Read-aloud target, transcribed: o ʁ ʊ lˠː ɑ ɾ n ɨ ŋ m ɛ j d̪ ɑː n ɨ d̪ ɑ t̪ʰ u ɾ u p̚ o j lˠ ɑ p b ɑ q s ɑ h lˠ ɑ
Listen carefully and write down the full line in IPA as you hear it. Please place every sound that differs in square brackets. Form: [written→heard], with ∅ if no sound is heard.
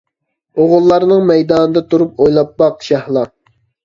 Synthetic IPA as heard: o ʁ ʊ lˠː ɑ ɾ n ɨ ŋ m ɛ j d̪ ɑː n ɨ d̪ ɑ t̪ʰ u ɾ u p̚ o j lˠ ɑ p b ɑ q [s→ʃ] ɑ h lˠ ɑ

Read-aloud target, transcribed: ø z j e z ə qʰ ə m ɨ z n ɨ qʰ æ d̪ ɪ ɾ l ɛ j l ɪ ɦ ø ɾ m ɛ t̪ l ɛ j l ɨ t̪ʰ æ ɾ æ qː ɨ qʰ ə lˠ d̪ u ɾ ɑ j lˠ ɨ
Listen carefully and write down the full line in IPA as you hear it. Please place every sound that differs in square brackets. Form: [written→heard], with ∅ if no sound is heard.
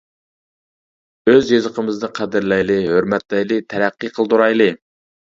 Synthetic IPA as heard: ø z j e z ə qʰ ə m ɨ z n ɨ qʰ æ d̪ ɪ ɾ l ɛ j l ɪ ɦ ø ɾ m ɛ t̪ l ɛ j l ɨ t̪ʰ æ ɾ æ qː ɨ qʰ ə lˠ d̪ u ɾ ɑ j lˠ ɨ

